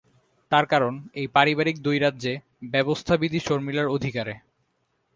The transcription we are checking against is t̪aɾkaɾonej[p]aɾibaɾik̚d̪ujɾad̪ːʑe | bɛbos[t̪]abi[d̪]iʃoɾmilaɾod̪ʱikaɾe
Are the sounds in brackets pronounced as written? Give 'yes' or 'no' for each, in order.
yes, no, yes

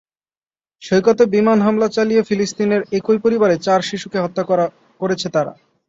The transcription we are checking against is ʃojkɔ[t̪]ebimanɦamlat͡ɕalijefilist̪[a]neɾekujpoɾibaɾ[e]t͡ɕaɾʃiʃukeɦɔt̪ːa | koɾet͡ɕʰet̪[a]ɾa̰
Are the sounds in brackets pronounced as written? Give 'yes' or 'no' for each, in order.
yes, no, yes, yes

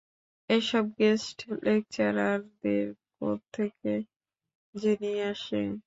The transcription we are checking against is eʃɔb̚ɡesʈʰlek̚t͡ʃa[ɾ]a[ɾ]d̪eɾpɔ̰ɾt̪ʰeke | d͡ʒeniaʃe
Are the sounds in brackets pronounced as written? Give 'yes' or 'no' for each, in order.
yes, yes

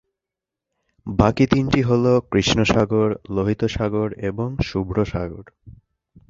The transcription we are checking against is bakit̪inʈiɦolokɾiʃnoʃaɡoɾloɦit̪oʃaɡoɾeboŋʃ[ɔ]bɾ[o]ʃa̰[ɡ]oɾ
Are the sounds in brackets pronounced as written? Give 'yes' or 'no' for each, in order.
no, yes, yes

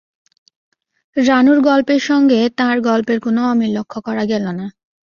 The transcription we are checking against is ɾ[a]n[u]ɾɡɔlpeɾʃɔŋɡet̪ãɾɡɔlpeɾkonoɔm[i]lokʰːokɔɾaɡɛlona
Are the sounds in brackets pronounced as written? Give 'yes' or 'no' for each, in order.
yes, yes, yes

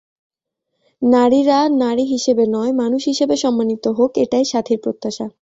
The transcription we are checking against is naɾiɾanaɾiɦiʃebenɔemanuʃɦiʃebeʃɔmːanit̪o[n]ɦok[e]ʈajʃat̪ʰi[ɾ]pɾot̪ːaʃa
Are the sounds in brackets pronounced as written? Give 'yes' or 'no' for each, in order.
no, yes, yes

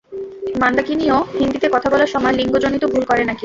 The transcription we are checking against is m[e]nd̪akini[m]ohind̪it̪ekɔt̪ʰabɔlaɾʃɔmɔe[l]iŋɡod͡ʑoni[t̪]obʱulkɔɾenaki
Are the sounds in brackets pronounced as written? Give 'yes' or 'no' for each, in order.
no, no, yes, yes

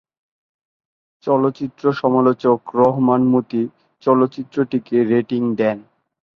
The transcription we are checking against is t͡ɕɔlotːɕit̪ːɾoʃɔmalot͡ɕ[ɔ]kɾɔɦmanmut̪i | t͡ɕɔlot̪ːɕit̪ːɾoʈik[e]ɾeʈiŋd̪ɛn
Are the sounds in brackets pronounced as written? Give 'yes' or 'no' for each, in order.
no, yes

